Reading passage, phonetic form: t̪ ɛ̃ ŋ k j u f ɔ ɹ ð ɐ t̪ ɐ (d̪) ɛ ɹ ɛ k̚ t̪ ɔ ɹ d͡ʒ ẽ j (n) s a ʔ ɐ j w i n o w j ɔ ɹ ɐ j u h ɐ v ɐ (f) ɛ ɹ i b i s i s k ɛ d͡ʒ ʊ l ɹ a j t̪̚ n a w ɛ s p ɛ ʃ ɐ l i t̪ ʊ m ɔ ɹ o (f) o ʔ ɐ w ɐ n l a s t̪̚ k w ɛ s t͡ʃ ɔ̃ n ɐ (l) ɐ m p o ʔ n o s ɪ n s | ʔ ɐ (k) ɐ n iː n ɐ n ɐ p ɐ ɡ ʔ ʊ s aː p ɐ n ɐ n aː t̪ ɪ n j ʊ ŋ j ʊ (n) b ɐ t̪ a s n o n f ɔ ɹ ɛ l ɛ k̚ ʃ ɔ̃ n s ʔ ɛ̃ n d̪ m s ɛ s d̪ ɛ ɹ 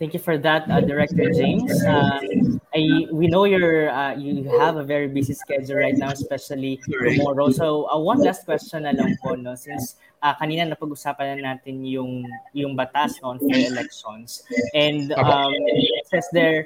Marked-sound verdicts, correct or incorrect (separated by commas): correct, incorrect, incorrect, incorrect, correct, correct, incorrect